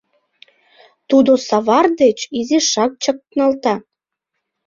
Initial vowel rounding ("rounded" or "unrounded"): rounded